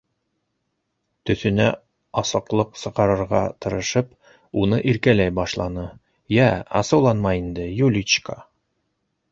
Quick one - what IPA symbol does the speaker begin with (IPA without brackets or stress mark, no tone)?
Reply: t̪